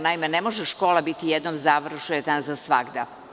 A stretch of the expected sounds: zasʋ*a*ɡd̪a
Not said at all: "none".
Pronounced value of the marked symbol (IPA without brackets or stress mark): a